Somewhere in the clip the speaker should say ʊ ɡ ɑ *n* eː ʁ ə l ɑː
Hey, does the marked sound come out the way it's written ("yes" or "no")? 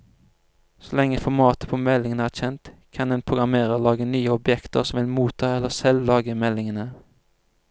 no